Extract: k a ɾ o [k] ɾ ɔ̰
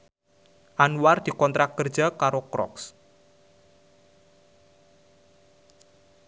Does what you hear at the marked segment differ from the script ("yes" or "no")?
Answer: no